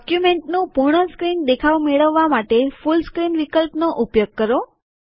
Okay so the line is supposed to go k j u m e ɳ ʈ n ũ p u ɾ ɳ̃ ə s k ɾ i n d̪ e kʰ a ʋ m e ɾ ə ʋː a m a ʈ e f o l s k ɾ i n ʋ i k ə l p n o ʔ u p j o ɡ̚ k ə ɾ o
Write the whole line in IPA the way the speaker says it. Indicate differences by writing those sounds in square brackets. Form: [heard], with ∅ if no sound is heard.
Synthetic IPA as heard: k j u m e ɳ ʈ n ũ p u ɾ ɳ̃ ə s k ɾ i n d̪ e kʰ a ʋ m e [ɭ] ə ʋː a m a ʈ e f [u] l s k ɾ i n ʋ i k ə l p n o ʔ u p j o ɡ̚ k ə ɾ o